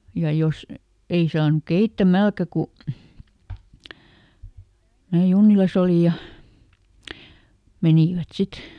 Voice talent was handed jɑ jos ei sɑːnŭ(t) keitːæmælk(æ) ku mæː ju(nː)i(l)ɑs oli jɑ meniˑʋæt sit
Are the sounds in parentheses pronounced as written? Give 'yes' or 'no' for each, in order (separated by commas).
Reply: no, yes, yes, yes